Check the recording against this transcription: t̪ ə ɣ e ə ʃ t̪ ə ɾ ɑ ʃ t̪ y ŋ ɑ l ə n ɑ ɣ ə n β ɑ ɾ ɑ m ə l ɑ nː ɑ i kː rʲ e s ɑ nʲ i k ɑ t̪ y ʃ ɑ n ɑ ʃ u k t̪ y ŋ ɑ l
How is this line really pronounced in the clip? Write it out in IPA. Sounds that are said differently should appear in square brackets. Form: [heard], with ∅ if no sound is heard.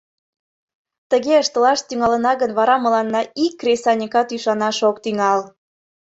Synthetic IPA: t̪ ə ɣ e ə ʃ t̪ ə [l] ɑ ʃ t̪ y ŋ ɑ l ə n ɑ ɣ ə n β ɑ ɾ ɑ m ə l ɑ nː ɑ i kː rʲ e s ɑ nʲ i k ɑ t̪ y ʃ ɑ n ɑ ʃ [o] k t̪ y ŋ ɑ l

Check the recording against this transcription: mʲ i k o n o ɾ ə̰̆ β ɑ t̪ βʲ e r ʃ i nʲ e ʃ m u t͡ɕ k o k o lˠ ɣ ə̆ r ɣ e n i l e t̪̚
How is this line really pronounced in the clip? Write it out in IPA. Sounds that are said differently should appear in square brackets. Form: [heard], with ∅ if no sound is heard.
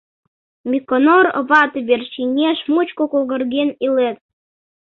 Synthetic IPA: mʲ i k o n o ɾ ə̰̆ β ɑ t̪ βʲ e r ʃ i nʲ e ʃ m u t͡ɕ k o k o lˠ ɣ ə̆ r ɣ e n i l e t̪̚

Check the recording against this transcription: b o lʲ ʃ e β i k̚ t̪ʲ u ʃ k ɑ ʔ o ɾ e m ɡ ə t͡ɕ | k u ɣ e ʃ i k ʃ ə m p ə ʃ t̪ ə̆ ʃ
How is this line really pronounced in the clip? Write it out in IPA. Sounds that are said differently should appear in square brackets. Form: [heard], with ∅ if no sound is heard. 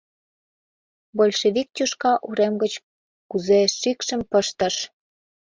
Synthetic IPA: b o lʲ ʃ e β i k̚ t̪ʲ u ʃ k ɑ ʔ [u] ɾ e m ɡ ə t͡ɕ | k u [z] e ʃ i k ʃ ə m p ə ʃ t̪ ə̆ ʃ

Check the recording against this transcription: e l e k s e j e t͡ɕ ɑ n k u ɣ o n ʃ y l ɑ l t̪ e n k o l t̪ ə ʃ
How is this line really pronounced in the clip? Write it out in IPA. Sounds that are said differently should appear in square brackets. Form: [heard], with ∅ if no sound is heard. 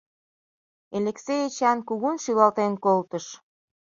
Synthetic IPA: e l e k s e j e t͡ɕ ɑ n k u ɣ [u] n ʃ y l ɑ l t̪ e n k o l t̪ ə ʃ

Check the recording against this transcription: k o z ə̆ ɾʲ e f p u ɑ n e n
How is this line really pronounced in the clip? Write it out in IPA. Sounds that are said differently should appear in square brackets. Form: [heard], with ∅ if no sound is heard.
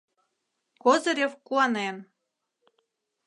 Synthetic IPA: k o z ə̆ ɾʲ e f [k] u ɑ n e n

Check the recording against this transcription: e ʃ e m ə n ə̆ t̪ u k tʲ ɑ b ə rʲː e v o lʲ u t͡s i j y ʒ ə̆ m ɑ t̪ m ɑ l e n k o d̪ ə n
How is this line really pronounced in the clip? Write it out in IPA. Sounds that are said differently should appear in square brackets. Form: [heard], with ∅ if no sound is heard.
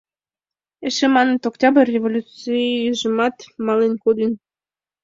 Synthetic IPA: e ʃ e m [ɑ] n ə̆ t̪ [o] k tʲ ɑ b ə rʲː e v o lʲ u t͡s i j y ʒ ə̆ m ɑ t̪ m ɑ l e n k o d̪ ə n

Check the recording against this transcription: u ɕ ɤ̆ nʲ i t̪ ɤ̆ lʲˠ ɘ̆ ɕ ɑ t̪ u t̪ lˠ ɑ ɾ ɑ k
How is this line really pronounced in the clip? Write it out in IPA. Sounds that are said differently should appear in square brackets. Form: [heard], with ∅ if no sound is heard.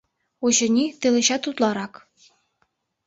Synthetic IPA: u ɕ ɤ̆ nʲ i t̪ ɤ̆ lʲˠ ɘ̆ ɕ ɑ t̪ u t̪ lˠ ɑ ɾ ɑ k

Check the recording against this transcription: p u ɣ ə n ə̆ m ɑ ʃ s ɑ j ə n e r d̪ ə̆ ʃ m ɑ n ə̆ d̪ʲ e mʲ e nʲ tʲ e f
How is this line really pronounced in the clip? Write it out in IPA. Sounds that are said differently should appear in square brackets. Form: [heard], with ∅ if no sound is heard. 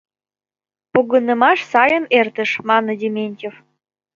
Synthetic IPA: p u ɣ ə n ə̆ m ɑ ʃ s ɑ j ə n e r [t̪] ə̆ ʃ m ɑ n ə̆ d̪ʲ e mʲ e nʲ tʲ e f

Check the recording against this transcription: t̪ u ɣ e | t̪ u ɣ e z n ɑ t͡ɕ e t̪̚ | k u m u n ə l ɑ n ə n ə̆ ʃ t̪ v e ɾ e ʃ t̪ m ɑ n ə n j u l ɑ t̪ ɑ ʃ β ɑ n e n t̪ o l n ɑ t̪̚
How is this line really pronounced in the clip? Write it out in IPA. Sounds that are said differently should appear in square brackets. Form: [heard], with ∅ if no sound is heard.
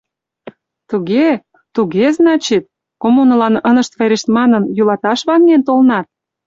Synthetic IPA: t̪ u ɣ e | t̪ u ɣ e z n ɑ t͡ɕ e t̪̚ | k [o] m u n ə l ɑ n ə n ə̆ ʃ t̪ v e ɾ e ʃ t̪ m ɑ n ə n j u l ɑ t̪ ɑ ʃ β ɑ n e n t̪ o l n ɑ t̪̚

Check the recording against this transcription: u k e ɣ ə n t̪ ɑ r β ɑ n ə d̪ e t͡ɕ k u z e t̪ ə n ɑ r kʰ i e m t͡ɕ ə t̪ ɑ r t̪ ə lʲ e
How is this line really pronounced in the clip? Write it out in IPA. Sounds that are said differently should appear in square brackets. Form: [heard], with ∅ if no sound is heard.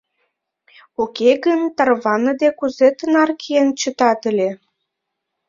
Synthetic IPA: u k e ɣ ə n t̪ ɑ r β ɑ n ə d̪ e [∅] k u z e t̪ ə n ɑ r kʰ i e [n] t͡ɕ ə t̪ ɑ [∅] t̪ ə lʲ e

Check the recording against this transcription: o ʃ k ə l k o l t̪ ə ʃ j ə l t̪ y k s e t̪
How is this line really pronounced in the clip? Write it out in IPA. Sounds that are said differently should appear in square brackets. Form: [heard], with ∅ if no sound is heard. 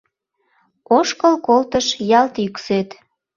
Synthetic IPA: o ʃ k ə l k o l t̪ ə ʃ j [ɑ] l t̪ y k s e t̪

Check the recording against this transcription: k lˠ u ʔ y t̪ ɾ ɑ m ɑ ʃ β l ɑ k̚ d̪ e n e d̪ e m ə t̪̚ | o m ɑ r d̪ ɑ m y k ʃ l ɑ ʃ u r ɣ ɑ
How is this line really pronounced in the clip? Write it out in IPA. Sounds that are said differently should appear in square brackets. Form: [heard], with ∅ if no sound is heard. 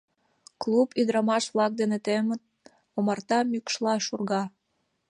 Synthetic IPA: k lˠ u [p] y [d̪] ɾ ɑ m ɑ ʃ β l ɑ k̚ d̪ e n e [t̪] e m ə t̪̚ | o m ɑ r [t̪] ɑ m y k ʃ l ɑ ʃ u r ɣ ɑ

